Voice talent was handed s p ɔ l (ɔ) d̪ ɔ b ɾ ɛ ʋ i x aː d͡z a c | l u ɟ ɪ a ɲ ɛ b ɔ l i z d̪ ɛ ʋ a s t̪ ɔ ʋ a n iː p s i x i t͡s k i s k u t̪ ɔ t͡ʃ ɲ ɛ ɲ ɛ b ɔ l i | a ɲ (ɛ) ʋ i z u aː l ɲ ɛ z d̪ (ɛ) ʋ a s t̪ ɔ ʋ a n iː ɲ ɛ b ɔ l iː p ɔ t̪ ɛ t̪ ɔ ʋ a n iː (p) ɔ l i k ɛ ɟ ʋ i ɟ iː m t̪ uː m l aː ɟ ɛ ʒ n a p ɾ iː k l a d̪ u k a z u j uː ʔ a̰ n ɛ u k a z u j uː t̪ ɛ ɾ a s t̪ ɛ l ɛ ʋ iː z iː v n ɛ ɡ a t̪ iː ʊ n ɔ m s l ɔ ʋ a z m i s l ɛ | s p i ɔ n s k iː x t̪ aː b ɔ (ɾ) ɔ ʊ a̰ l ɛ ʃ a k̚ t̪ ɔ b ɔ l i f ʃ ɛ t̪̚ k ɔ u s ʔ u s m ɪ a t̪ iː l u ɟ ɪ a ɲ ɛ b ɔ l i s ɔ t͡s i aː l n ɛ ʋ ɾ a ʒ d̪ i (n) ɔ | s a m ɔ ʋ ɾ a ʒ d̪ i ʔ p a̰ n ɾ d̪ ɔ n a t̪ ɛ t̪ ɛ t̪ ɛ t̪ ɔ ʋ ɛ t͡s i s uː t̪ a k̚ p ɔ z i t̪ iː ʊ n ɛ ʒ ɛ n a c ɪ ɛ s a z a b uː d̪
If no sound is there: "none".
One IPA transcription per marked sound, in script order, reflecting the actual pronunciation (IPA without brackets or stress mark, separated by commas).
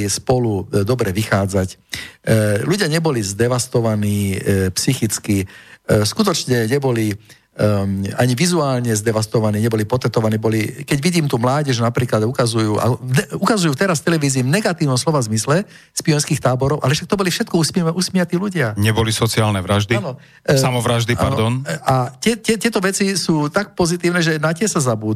u, i, ɛ, b, ɾ, n